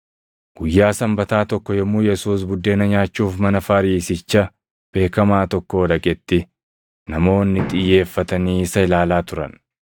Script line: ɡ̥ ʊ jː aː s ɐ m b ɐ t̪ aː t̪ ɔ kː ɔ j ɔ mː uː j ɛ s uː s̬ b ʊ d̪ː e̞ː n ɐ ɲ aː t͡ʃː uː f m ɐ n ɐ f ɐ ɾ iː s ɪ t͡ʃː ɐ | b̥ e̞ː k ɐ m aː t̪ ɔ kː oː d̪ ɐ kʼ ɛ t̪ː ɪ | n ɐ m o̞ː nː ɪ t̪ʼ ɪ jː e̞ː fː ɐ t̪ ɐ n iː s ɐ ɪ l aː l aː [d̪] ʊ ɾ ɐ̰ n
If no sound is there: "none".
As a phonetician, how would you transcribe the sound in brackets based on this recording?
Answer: t̪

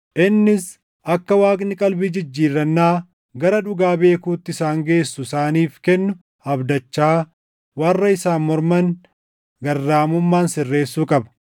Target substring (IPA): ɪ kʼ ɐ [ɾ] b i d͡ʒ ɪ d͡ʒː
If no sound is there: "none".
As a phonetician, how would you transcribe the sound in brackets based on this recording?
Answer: l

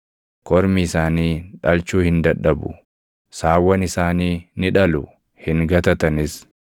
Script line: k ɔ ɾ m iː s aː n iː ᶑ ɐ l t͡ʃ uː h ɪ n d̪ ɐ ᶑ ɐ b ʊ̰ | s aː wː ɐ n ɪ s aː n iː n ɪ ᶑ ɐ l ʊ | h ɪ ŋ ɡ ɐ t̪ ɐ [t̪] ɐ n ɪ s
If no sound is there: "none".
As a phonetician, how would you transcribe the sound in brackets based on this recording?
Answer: t̪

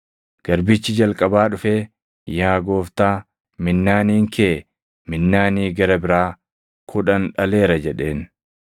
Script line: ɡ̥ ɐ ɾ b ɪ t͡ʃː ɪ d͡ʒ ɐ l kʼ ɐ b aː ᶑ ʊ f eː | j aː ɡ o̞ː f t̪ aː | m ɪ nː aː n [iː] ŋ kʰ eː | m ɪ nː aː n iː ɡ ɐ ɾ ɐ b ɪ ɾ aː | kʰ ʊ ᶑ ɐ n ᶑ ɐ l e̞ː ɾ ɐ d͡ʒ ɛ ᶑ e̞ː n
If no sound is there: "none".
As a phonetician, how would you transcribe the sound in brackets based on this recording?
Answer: iː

